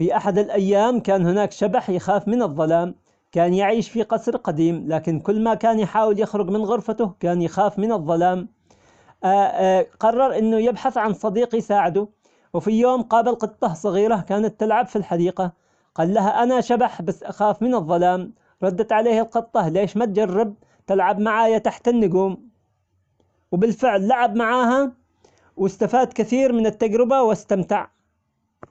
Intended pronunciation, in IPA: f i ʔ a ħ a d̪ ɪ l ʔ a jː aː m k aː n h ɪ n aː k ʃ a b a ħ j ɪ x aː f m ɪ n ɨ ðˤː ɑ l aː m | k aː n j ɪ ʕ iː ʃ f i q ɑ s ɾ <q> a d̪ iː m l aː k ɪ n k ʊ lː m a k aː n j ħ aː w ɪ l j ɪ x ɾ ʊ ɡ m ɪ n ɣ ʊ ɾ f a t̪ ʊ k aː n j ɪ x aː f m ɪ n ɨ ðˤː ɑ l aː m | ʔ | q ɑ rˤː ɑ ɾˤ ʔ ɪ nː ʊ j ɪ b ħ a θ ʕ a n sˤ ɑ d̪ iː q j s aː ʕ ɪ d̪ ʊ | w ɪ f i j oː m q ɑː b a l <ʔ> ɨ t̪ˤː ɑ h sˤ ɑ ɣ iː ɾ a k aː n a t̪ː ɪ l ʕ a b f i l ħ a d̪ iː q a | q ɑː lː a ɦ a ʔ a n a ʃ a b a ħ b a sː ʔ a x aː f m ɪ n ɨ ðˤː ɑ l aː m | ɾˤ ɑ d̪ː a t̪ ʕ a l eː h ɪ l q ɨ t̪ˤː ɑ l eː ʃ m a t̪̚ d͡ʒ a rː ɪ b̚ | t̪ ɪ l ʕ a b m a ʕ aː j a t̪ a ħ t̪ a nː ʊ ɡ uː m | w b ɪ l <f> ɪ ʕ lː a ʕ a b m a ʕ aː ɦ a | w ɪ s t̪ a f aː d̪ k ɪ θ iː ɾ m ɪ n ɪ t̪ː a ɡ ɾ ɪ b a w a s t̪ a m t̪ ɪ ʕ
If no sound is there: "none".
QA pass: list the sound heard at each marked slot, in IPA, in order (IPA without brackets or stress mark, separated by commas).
q, q, f